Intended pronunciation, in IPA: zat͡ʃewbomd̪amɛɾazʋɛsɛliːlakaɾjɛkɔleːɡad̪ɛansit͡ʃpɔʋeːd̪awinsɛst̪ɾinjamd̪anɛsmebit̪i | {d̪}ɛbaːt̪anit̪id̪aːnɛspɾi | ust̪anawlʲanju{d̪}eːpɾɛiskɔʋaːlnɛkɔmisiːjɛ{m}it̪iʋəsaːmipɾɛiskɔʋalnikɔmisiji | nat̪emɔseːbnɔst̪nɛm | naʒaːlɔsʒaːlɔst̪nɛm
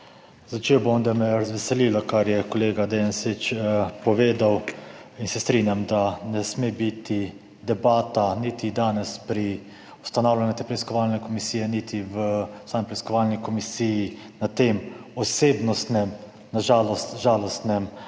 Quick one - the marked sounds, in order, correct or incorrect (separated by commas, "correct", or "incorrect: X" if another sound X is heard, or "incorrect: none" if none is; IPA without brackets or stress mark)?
correct, incorrect: t̪, incorrect: n